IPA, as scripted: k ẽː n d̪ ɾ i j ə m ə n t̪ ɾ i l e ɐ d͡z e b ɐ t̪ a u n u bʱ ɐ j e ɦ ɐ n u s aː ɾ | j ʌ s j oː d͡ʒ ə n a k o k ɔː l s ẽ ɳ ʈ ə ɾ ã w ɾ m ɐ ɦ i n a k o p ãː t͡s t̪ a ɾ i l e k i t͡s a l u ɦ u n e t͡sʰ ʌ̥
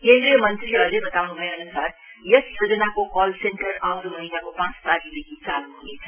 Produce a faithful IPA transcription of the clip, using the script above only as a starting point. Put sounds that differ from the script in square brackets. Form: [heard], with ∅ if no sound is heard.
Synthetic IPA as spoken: k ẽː n d̪ ɾ i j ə m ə n t̪ ɾ i l e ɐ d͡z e b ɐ t̪ a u n u bʱ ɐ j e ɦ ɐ n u s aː ɾ | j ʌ s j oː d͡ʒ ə n a k o k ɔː l s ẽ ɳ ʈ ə ɾ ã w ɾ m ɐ ɦ i n a k o p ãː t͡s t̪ a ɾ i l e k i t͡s a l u ɦ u n e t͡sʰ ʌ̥